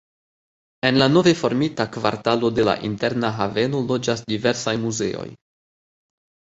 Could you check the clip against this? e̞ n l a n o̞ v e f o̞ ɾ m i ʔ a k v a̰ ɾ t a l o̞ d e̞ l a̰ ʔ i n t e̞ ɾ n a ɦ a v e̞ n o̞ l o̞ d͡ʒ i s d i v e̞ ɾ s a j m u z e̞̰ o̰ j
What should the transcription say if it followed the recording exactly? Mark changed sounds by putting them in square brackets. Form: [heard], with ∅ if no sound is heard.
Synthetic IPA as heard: e̞ n l a n o̞ v e f o̞ ɾ m i [t] a k v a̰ ɾ t a l o̞ d e̞ l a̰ ʔ i n t e̞ ɾ n a ɦ a v e̞ n o̞ l o̞ d͡ʒ [a] s d i v e̞ ɾ s a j m u z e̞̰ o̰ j